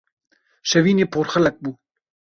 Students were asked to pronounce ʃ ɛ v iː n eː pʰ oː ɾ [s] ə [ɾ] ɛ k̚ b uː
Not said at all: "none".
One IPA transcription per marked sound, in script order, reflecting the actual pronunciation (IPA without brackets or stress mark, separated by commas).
x, l